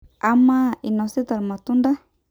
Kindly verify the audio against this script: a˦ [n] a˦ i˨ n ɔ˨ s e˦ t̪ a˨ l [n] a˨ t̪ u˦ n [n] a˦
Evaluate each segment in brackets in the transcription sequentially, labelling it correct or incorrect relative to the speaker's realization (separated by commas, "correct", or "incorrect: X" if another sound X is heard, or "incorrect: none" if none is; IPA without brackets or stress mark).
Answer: incorrect: m, incorrect: m, incorrect: d